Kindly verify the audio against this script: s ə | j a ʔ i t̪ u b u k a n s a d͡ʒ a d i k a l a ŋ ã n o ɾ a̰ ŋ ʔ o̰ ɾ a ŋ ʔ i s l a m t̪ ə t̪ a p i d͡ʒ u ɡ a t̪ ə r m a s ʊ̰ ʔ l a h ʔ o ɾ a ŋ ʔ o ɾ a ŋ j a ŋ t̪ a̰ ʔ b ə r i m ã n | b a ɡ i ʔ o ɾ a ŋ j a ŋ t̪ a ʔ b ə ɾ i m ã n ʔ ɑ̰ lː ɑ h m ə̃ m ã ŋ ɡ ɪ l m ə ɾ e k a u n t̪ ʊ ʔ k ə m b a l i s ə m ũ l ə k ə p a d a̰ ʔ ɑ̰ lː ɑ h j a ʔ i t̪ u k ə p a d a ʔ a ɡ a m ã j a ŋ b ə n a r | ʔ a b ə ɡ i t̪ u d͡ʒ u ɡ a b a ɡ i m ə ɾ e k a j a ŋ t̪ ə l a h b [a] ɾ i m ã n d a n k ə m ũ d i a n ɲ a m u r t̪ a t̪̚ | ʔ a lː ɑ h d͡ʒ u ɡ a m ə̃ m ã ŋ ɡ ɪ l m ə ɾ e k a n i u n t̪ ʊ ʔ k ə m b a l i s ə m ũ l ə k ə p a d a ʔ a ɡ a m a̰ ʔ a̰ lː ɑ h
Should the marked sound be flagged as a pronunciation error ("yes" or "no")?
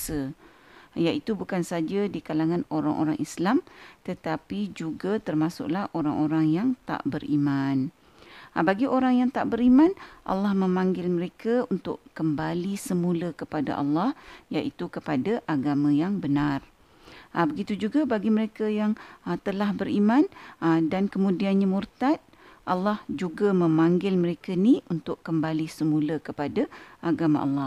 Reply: yes